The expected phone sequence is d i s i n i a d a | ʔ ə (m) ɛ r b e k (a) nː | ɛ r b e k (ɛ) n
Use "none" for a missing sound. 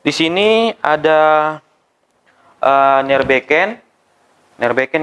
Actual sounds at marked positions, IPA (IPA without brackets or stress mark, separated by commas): n, ɛ, ɛ